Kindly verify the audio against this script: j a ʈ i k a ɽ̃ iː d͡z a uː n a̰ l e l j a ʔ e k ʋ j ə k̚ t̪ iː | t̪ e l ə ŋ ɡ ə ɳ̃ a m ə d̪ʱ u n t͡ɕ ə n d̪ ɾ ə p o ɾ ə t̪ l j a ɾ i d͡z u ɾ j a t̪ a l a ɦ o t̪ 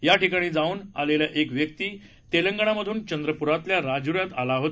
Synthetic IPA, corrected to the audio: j a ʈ i k a ɽ̃ iː d͡z a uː n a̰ l e l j a ʔ e k ʋ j ə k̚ t̪ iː | t̪ e l ə ŋ ɡ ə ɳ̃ a m ə d̪ʱ uː n t͡ɕ ə n d̪ ɾ ə p u ɾ a t̪ l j a ɾ a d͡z u ɾ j a t̪ a l a ɦ o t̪